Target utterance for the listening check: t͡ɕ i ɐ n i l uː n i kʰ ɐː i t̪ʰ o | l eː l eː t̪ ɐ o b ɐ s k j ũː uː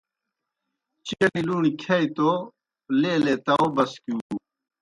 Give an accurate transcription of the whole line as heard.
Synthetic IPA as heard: t͡ɕ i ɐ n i l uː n i kʰ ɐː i t̪ o | l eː l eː t̪ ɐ o b ɐ s k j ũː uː